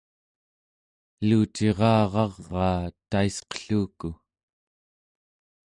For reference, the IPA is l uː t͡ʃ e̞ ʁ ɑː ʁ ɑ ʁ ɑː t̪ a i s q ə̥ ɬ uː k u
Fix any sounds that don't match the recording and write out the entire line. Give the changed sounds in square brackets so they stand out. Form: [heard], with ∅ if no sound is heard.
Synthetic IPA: l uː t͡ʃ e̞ ʁ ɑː ʁ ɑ [ʁː] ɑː t̪ a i s q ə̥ ɬ uː k u